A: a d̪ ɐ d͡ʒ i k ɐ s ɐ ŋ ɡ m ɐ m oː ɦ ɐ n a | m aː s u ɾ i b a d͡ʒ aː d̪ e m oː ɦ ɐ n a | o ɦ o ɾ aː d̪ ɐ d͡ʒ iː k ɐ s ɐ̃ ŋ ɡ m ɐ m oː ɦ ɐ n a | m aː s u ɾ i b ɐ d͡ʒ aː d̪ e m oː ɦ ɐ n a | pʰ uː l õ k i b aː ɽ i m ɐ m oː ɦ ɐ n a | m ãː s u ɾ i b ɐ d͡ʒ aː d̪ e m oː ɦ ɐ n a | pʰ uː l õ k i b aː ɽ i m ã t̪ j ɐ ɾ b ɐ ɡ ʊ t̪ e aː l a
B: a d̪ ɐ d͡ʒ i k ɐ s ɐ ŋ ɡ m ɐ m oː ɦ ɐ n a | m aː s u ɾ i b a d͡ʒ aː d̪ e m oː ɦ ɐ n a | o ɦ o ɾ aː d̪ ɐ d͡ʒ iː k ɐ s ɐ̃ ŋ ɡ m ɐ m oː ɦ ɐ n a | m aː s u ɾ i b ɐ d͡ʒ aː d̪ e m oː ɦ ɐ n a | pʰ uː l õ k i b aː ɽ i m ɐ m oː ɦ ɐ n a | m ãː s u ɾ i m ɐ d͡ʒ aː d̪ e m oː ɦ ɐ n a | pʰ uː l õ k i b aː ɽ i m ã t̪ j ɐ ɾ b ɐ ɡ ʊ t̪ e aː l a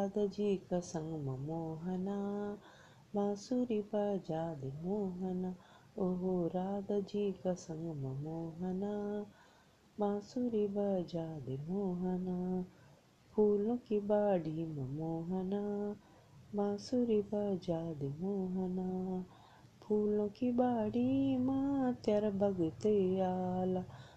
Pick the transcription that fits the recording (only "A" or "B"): A